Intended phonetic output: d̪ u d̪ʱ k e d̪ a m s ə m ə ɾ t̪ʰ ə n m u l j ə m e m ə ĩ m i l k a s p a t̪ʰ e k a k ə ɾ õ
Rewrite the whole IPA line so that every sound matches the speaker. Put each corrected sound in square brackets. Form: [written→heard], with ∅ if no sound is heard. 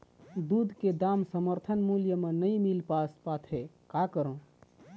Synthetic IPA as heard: d̪ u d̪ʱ k e d̪ a m s ə m ə ɾ t̪ʰ ə n m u l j ə m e [m→n] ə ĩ m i l [k→p] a s p a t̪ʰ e k a k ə ɾ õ